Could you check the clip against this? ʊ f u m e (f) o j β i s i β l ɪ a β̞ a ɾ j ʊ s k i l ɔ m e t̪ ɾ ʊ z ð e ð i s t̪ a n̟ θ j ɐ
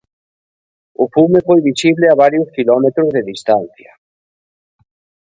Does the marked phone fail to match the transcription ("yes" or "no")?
no